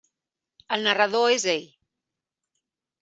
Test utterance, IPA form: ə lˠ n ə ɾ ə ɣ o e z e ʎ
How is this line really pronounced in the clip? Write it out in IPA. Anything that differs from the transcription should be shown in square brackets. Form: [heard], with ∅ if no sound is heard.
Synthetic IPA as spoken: ə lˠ n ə [r] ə [ð] o e z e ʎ